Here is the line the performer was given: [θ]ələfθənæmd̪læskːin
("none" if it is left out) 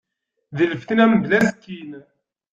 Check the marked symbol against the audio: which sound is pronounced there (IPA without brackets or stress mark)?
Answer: ð